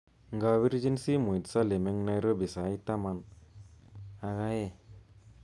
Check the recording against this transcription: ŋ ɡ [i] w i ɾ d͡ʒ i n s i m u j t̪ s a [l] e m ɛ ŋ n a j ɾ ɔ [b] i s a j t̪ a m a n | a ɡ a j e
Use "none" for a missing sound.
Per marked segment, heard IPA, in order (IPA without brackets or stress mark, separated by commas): a, l, b